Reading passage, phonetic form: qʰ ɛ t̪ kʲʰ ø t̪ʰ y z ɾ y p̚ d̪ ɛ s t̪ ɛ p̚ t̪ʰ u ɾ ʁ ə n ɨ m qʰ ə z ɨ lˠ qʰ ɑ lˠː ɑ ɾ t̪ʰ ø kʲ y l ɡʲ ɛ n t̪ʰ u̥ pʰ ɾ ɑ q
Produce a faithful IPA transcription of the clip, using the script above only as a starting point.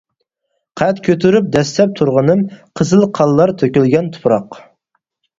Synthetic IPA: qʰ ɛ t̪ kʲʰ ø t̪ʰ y ɾ y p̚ d̪ ɛ s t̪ ɛ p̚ t̪ʰ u ɾ ʁ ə n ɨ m qʰ ə z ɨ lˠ qʰ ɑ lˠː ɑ ɾ t̪ʰ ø kʲ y l ɡʲ ɛ n t̪ʰ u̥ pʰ ɾ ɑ q